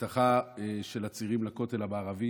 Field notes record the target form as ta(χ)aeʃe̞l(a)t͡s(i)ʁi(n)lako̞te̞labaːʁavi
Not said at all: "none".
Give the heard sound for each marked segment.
χ, a, i, m

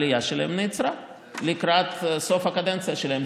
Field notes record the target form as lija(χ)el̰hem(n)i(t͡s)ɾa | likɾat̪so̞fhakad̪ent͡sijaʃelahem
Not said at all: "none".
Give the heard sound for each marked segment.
ʃ, n, t͡s

